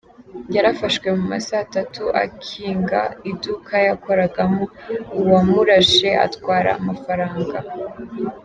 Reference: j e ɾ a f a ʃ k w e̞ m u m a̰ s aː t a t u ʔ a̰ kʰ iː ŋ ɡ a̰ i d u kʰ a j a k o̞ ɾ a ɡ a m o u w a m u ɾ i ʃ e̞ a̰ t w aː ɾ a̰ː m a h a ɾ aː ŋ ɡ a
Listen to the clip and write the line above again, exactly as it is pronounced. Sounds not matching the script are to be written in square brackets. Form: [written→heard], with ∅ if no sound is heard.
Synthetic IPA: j [e→a] ɾ a f a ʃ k w e̞ m u m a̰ s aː t a t u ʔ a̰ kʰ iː ŋ ɡ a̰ i d u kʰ a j a k o̞ ɾ a ɡ a m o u w a m u ɾ [i→a] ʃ e̞ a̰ t w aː ɾ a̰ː m a [h→f] a ɾ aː ŋ ɡ a